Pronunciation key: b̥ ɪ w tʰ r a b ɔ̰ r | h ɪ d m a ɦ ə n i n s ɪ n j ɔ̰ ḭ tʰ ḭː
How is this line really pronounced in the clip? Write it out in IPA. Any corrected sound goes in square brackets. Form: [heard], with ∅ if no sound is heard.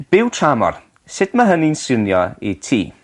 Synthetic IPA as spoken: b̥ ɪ w tʰ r a [m] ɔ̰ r | [s] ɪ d m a ɦ ə n i n s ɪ n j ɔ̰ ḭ tʰ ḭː